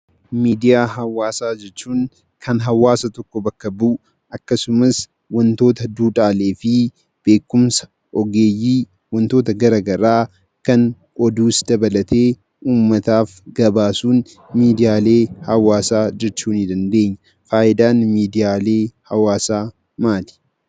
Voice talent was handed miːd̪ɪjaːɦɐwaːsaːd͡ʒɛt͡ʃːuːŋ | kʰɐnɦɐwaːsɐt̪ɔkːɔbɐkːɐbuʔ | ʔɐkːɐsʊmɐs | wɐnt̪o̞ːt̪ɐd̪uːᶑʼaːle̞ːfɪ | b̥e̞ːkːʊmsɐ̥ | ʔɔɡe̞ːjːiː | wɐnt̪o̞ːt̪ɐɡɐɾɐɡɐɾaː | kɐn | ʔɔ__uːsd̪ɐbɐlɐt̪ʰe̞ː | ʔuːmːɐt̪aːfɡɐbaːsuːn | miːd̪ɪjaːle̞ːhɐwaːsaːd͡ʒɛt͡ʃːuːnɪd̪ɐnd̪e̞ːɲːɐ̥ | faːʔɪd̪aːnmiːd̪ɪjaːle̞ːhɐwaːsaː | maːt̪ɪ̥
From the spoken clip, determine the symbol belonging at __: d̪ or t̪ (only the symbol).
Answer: d̪